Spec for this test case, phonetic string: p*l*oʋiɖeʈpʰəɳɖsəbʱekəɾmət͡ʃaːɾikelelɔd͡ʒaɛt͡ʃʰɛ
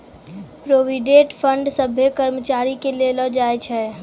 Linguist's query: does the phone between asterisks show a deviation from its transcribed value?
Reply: yes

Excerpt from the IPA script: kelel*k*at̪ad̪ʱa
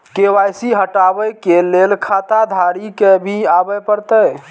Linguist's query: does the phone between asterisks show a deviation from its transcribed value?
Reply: yes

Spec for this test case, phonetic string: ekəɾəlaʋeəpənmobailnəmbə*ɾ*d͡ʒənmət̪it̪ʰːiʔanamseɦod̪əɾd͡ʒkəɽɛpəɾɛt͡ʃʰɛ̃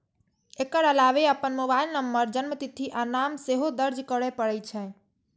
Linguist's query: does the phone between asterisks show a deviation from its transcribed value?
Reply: no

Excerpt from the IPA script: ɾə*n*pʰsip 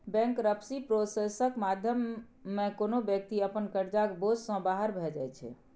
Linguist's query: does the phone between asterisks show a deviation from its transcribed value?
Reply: yes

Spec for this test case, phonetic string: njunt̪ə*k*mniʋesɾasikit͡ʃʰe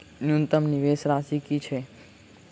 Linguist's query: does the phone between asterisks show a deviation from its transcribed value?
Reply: yes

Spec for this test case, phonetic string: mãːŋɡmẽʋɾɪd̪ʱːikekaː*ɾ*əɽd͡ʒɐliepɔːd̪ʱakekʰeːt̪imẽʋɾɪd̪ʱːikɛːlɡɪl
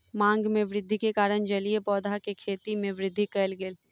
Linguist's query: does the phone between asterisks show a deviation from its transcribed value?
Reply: no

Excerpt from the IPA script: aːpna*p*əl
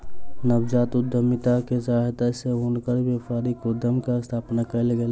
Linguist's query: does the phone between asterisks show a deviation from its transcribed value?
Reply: yes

